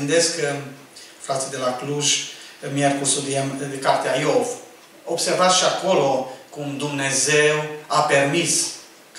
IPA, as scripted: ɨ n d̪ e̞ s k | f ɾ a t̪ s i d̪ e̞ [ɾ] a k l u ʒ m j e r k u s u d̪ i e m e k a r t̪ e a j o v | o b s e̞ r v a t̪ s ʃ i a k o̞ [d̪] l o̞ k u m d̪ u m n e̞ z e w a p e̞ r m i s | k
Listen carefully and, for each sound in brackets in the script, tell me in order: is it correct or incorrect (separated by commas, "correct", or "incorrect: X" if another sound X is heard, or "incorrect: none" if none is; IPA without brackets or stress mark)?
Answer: incorrect: l, incorrect: none